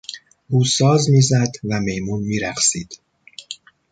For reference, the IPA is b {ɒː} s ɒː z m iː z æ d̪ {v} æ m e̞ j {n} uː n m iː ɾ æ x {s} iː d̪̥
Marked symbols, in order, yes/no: no, yes, no, yes

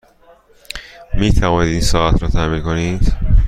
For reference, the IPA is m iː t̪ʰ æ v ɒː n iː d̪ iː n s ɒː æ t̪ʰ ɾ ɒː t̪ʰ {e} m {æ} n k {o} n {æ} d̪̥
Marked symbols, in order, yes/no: no, no, yes, no

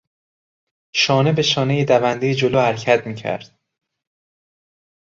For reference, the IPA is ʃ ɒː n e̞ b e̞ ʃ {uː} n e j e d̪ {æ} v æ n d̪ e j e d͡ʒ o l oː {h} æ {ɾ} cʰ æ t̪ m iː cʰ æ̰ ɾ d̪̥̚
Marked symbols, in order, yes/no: no, yes, yes, yes

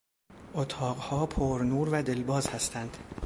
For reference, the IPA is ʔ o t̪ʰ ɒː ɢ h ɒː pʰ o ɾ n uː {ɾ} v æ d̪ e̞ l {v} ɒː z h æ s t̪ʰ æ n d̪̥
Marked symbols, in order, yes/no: yes, no

